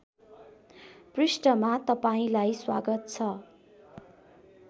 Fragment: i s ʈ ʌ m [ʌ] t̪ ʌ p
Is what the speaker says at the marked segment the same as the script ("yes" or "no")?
no